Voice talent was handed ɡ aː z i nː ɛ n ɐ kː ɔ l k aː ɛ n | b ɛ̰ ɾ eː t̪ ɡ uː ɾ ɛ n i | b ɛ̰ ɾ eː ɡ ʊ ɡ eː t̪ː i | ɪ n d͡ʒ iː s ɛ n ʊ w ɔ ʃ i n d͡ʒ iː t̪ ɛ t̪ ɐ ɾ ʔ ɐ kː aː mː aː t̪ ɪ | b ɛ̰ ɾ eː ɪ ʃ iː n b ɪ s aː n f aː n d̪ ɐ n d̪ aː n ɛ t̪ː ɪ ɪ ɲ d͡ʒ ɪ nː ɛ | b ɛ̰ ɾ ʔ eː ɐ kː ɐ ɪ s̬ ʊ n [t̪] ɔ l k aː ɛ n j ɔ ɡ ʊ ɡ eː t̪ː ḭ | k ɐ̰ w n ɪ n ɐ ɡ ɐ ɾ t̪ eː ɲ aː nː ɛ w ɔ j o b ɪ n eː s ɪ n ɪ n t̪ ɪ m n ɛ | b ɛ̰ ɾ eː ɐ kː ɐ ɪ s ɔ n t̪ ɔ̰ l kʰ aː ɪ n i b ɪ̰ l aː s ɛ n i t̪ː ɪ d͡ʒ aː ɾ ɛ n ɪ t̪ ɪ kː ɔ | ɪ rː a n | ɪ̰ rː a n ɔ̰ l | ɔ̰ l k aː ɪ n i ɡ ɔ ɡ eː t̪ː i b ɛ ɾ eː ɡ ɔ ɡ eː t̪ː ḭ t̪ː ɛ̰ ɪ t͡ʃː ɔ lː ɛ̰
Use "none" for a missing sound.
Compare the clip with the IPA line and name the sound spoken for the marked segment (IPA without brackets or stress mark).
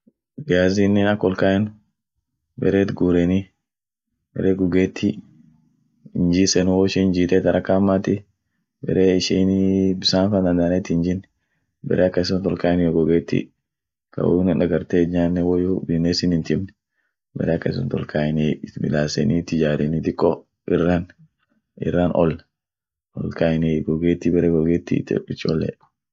t̪